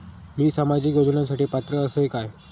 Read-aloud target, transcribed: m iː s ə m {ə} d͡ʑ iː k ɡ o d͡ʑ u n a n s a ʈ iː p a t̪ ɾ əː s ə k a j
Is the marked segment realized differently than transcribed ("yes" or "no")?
yes